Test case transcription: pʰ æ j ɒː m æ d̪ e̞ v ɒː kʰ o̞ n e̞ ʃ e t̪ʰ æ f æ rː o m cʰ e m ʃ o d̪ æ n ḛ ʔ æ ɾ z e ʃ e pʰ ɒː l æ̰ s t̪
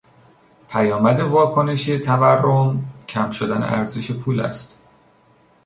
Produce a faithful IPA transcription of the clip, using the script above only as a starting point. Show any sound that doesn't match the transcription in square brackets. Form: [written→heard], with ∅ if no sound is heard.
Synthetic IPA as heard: pʰ æ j ɒː m æ d̪ e̞ v ɒː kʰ o̞ n e̞ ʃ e t̪ʰ æ [f→v] æ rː o m cʰ [e→æ] m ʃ o d̪ æ n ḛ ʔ æ ɾ z e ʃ e pʰ [ɒː→uː] l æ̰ s t̪